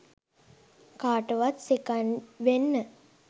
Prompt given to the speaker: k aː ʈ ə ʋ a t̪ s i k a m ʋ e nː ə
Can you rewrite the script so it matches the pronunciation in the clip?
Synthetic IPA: k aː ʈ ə ʋ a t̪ s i k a n ʋ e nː ə